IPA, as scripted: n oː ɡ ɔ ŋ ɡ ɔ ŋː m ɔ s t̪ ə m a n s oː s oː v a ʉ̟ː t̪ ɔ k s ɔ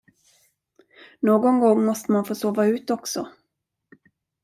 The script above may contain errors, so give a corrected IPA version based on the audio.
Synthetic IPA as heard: n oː ɡ ɔ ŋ ɡ ɔ ŋː m ɔ s t̪ ə m a n f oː s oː v a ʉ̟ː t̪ ɔ k s ɔ